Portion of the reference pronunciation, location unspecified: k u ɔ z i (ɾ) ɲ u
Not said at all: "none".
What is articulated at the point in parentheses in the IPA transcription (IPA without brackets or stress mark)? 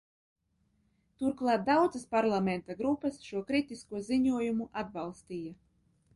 none